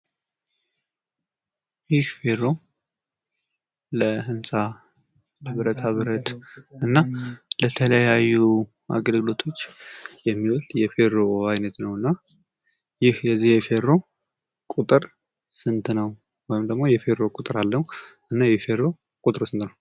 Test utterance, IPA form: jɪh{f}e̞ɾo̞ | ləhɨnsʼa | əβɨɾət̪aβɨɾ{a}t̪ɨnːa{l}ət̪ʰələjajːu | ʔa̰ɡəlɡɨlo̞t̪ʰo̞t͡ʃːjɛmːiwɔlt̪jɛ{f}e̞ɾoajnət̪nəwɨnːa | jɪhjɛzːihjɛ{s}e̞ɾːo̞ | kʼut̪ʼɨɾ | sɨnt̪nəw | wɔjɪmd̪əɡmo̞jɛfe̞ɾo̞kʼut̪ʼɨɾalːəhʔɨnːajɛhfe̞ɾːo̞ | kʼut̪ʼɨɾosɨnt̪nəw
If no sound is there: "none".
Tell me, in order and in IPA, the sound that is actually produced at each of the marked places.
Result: f, ə, l, f, f

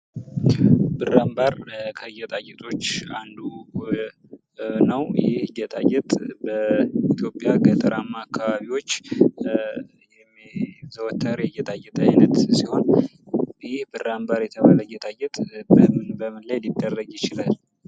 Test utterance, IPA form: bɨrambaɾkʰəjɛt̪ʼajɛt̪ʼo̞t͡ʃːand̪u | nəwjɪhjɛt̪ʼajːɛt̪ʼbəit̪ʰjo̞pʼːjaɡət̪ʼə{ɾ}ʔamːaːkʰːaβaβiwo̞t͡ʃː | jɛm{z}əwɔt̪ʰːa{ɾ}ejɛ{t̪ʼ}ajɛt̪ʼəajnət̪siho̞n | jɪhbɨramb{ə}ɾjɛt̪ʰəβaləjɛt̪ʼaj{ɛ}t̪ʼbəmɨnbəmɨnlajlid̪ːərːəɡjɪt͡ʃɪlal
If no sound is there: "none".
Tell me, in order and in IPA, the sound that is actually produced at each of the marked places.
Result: ɾ, z, ɾ, t̪ʼ, a, ɛ

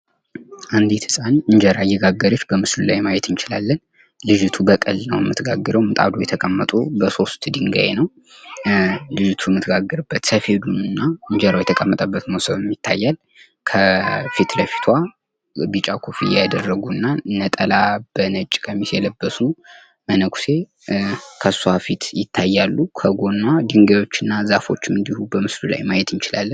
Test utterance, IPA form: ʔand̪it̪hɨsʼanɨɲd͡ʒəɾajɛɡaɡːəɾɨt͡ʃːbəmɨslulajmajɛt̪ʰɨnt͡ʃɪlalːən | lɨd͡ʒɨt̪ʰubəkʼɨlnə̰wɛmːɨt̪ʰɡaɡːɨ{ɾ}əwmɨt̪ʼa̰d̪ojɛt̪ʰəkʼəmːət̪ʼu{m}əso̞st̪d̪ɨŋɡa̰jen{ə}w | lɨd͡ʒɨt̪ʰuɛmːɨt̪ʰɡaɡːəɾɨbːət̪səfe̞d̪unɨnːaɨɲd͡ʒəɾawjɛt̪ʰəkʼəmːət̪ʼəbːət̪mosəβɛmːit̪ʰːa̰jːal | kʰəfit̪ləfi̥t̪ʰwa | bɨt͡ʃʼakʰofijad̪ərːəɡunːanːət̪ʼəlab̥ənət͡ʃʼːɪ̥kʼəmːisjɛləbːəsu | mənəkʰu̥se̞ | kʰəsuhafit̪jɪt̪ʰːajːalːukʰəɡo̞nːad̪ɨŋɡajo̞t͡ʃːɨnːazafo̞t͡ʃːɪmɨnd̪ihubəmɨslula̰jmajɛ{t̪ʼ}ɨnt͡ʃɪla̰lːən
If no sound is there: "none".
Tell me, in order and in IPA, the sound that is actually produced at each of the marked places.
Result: ɾ, b, ə, t̪

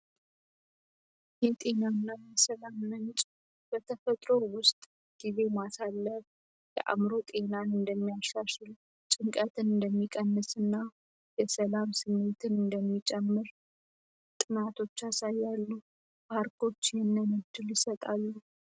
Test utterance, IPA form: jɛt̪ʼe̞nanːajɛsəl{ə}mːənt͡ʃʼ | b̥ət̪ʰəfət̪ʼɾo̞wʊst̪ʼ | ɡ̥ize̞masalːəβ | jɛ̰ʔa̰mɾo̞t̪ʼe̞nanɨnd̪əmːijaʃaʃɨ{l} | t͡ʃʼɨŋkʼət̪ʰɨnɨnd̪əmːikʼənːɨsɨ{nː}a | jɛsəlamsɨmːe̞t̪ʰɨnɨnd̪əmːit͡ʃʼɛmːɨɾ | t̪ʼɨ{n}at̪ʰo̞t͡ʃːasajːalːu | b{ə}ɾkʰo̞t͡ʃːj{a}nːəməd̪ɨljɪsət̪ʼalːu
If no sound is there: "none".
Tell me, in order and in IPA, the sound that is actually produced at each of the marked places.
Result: a, l, nː, n, a, ɛ

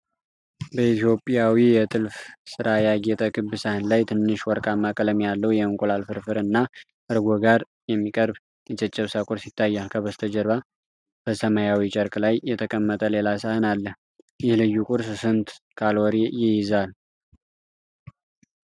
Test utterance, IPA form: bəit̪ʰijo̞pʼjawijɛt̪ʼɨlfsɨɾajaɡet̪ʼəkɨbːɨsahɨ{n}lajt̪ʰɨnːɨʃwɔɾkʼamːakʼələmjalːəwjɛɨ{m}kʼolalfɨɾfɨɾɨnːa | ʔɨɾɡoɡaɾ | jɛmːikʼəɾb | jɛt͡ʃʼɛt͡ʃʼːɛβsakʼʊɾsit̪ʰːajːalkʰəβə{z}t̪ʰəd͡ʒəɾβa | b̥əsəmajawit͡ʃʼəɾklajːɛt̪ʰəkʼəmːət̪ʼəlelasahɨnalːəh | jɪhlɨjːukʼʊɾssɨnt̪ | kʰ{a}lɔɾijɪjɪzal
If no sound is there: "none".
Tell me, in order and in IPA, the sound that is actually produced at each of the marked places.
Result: n, ŋ, s, a

